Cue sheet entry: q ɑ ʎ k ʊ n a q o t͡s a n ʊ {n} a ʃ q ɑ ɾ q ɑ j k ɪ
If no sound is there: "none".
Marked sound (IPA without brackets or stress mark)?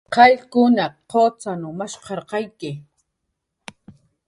m